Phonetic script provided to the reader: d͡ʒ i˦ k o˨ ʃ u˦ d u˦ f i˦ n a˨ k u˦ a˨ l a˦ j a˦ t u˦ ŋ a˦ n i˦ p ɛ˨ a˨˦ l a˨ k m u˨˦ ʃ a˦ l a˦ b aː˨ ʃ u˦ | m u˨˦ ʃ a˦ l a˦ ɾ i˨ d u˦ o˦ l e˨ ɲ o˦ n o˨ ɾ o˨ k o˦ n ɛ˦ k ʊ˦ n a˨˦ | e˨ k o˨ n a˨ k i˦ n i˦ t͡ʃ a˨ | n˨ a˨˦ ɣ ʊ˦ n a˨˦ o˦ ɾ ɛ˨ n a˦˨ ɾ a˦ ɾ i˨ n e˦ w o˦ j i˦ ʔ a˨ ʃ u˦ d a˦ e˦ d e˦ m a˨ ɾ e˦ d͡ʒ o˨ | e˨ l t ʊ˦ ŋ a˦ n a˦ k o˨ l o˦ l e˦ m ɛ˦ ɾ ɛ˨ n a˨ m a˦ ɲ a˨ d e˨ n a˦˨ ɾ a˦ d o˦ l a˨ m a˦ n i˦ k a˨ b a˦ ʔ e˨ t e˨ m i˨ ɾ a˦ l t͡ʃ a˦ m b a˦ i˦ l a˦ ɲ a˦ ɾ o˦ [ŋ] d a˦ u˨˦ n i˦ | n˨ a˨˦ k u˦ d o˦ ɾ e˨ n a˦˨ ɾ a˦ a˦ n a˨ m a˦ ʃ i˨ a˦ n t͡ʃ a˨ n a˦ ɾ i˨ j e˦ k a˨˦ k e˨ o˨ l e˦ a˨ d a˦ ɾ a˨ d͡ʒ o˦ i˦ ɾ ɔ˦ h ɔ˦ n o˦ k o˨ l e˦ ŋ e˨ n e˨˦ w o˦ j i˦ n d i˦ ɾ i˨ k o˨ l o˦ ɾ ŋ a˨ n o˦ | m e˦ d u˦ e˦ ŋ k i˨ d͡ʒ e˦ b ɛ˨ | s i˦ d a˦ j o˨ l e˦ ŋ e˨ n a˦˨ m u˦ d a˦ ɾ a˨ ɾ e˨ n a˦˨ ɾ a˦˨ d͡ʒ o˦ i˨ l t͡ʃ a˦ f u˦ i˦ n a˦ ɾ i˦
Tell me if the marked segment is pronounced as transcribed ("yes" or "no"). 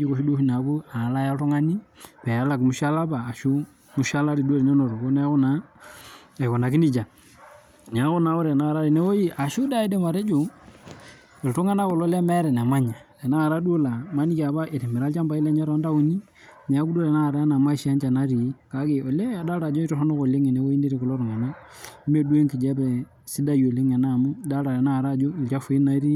no